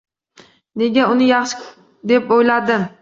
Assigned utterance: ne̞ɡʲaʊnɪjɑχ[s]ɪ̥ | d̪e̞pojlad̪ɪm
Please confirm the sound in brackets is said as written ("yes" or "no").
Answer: no